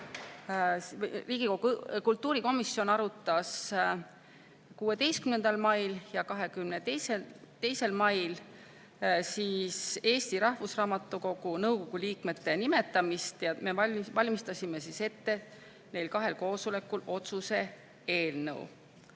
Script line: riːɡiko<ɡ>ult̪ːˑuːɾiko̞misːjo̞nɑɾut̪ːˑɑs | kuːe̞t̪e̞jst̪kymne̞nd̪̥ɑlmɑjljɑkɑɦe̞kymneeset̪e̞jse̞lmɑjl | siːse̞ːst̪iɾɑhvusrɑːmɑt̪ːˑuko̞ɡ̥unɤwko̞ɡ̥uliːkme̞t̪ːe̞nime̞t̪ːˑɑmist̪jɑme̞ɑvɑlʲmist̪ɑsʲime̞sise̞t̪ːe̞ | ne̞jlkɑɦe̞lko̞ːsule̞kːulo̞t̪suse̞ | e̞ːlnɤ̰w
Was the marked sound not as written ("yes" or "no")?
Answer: yes